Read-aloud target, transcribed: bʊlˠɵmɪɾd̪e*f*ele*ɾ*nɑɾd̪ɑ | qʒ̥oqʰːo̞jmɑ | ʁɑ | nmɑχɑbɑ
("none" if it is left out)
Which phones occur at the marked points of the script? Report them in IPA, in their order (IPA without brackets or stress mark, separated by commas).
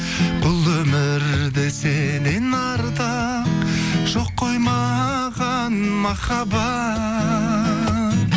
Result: s, none